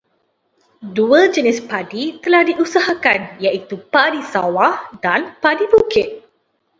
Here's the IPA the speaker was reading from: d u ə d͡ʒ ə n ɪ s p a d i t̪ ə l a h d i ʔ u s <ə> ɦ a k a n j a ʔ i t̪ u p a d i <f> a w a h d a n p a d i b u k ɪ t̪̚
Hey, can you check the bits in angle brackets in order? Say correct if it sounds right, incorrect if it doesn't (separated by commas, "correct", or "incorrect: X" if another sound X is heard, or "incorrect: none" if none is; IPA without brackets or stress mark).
incorrect: a, incorrect: s